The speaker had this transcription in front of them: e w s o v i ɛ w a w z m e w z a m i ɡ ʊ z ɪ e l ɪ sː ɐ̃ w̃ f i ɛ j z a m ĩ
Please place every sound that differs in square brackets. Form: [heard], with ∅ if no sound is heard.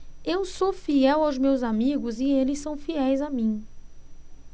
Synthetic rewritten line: e w s o [f] i ɛ w a w z m e w z a m i ɡ ʊ z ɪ e l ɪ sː ɐ̃ w̃ f i ɛ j z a m ĩ

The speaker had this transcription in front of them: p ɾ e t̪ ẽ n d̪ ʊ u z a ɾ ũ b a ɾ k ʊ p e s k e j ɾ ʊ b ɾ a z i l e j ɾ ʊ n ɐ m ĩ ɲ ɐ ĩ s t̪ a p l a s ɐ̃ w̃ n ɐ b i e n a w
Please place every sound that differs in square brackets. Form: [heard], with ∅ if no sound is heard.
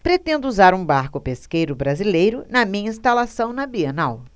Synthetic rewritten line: p ɾ e t̪ ẽ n d̪ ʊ u z a ɾ ũ b a ɾ k ʊ p e s k e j ɾ ʊ b ɾ a z i l e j ɾ ʊ n ɐ m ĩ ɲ ɐ ĩ s t̪ a [∅] l a s ɐ̃ w̃ n ɐ b i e n a w

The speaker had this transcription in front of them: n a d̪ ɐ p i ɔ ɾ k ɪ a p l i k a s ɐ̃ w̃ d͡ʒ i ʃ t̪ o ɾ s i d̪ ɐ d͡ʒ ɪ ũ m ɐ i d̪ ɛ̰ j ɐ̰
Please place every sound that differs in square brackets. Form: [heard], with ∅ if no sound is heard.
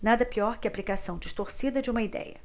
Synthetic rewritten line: n a d̪ ɐ p i ɔ ɾ k ɪ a p l i k a s ɐ̃ w̃ d͡ʒ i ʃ t̪ o ɾ s i d̪ ɐ d͡ʒ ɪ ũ m ɐ i d̪ ɛ̰ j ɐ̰

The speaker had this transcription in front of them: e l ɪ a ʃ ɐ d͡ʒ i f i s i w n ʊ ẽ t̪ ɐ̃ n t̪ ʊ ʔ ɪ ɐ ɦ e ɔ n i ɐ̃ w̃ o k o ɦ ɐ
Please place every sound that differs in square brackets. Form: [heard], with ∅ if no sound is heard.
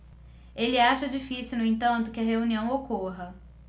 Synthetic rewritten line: e l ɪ a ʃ ɐ d͡ʒ i f i s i w n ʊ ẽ t̪ ɐ̃ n t̪ ʊ [k] ɪ ɐ ɦ e [u] n i ɐ̃ w̃ o k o ɦ ɐ

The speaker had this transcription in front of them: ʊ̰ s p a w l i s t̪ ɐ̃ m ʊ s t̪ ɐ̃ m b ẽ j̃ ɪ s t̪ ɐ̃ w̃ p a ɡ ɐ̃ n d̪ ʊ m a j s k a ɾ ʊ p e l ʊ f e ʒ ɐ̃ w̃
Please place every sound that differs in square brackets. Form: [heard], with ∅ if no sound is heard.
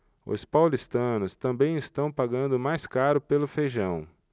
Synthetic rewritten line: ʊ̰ s p a w l i s t̪ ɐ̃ [n] ʊ s t̪ ɐ̃ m b ẽ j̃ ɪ s t̪ ɐ̃ w̃ p a ɡ ɐ̃ n d̪ ʊ m a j s k a ɾ ʊ p e l ʊ f e ʒ ɐ̃ w̃

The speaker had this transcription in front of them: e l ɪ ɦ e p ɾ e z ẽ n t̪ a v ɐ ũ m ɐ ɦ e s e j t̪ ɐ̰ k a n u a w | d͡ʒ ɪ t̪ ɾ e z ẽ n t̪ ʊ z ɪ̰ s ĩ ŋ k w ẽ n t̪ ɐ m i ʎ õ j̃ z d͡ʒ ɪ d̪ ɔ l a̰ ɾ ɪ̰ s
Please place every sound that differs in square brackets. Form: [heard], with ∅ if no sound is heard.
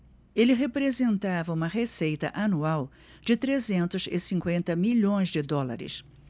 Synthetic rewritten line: e l ɪ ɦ e p ɾ e z ẽ n t̪ a v ɐ ũ m ɐ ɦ e s e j t̪ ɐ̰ [ʔ] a n u a w | d͡ʒ ɪ t̪ ɾ e z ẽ n t̪ ʊ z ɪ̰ s ĩ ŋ k w ẽ n t̪ ɐ m i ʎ õ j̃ z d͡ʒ ɪ d̪ ɔ l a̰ ɾ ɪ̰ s

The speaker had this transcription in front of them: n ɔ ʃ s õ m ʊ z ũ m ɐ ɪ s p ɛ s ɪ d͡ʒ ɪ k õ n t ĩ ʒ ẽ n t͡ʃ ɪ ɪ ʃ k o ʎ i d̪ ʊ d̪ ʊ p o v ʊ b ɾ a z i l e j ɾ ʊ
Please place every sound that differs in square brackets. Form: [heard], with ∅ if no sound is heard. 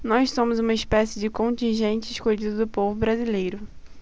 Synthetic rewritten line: n ɔ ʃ s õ m ʊ z ũ m ɐ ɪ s p ɛ s ɪ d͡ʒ ɪ k õ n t ĩ ʒ ẽ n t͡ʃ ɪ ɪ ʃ k o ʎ i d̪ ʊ d̪ ʊ p o v ʊ b ɾ a z i l e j ɾ ʊ

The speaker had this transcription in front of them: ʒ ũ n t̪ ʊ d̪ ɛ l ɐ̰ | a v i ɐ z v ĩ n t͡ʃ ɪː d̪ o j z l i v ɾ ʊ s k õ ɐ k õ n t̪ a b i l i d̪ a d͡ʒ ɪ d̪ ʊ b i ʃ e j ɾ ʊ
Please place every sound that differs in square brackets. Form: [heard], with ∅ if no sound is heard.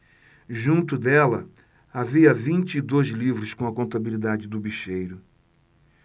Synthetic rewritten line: ʒ ũ n t̪ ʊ d̪ ɛ l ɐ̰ | a v i ɐ [∅] v ĩ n t͡ʃ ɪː d̪ o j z l i v ɾ ʊ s k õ ɐ k õ n t̪ a b i l i d̪ a d͡ʒ ɪ d̪ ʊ b i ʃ e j ɾ ʊ

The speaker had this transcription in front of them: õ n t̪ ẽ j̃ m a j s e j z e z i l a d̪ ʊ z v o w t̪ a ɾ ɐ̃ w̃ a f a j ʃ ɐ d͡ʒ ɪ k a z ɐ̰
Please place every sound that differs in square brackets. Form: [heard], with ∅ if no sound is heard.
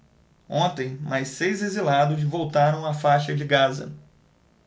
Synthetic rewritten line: õ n t̪ ẽ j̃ m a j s e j z e z i l a d̪ ʊ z v o w t̪ a ɾ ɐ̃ w̃ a f a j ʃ ɐ d͡ʒ ɪ [ɡ] a z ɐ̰

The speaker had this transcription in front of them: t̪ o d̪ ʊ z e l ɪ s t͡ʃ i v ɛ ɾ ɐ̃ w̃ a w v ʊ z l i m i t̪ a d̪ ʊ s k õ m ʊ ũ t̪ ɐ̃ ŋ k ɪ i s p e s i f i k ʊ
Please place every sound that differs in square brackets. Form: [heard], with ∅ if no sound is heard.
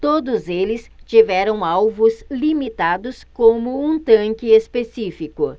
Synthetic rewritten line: t̪ o d̪ ʊ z e l ɪ s t͡ʃ i v ɛ ɾ ɐ̃ w̃ a w v ʊ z l i m i t̪ a d̪ ʊ s k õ m ʊ ũ t̪ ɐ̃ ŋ k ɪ [e] s p e s i f i k ʊ

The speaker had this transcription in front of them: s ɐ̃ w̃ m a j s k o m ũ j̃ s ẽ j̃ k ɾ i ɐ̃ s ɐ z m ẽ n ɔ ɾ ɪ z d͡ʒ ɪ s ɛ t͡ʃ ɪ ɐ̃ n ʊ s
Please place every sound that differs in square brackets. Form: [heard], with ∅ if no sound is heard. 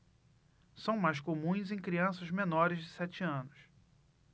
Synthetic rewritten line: s ɐ̃ w̃ m a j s k o m ũ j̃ [z] ẽ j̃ k ɾ i ɐ̃ s ɐ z m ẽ n ɔ ɾ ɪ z d͡ʒ ɪ s ɛ t͡ʃ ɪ ɐ̃ n ʊ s

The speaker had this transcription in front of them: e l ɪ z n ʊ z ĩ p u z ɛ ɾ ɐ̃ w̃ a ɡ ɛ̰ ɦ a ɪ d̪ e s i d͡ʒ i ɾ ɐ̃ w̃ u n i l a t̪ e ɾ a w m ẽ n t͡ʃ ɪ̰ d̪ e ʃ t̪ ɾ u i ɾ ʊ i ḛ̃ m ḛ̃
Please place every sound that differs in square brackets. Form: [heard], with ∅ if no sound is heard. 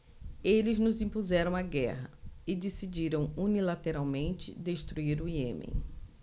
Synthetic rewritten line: e l ɪ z n ʊ z ĩ p u z ɛ ɾ ɐ̃ w̃ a ɡ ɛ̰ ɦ [ɐ] ɪ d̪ e s i d͡ʒ i ɾ ɐ̃ w̃ u n i l a t̪ e ɾ a w m ẽ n t͡ʃ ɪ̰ d̪ e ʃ t̪ ɾ u i ɾ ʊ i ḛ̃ m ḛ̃

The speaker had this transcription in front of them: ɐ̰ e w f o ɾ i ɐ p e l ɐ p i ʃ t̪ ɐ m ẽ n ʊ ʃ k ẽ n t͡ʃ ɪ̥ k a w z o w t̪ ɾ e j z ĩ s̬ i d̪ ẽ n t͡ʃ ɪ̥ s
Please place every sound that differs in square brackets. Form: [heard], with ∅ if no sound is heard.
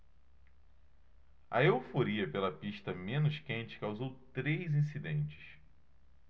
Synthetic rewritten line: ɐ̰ e w f o ɾ i ɐ p e l ɐ p i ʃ t̪ ɐ m ẽ n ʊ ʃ k ẽ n t͡ʃ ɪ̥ k a w z o w t̪ ɾ e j z ĩ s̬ i d̪ ẽ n t͡ʃ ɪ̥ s

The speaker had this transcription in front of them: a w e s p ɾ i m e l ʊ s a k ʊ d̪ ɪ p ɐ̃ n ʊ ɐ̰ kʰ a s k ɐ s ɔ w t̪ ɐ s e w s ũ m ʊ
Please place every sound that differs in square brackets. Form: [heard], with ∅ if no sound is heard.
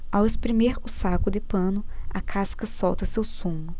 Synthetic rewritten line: a w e s p ɾ i m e [ɾ] ʊ s a k ʊ d̪ ɪ p ɐ̃ n ʊ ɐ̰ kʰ a s k ɐ s ɔ w t̪ ɐ s e w s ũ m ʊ

